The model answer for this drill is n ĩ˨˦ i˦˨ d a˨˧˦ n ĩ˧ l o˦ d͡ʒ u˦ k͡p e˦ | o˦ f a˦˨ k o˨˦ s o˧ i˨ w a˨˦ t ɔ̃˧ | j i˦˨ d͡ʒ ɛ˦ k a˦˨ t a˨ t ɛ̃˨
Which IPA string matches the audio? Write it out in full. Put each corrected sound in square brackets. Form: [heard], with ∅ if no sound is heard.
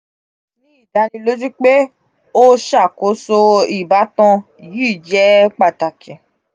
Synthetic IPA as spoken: n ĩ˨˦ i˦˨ d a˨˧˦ n ĩ˧ l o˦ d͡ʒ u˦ k͡p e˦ | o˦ [ʃ] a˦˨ k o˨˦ s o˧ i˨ [b] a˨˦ t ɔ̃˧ | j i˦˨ d͡ʒ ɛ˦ [k͡p] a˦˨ t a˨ [k] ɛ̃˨